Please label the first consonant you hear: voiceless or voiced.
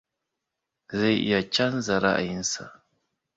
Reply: voiced